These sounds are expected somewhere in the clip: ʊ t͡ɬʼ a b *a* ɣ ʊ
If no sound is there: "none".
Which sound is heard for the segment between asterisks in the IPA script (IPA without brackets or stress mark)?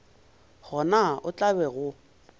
ɛ